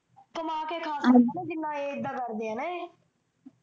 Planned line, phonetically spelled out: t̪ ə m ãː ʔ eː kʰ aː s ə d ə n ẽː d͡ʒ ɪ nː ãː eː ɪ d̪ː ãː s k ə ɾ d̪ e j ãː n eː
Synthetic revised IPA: t̪ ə m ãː k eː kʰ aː s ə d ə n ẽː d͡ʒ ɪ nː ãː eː ɪ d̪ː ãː k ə ɾ d̪ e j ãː n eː